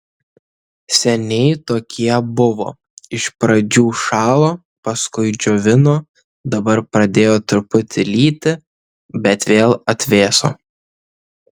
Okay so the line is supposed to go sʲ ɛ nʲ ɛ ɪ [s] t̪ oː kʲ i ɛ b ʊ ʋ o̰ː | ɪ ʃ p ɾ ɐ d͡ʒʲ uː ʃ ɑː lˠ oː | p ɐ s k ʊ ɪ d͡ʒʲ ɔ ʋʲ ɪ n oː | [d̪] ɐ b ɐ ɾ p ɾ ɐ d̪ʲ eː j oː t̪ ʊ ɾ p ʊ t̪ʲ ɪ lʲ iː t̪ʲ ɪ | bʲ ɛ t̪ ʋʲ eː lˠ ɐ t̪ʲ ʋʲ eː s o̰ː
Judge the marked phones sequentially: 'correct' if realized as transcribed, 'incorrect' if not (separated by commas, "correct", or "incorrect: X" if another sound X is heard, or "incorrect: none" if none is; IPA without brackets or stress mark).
incorrect: none, correct